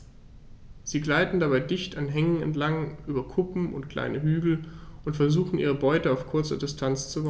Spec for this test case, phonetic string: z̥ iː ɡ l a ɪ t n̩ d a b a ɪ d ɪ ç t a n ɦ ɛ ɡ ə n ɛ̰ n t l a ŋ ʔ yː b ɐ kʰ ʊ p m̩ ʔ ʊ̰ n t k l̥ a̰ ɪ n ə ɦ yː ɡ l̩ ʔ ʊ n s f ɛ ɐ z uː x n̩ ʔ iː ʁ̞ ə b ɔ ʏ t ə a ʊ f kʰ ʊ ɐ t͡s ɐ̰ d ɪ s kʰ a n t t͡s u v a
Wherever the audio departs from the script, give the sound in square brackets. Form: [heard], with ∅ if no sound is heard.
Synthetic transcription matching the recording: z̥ iː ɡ l a ɪ t n̩ d a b a ɪ d ɪ ç t a n ɦ ɛ [ŋ] ə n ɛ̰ n t l a ŋ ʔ yː b ɐ kʰ ʊ p m̩ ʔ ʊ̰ n t k l̥ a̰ ɪ n ə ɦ yː ɡ l̩ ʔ ʊ n [t] f ɛ ɐ z uː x n̩ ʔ iː ʁ̞ ə b ɔ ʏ t ə a ʊ f kʰ ʊ ɐ t͡s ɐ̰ d ɪ s [tʰ] a n [t͡s] t͡s u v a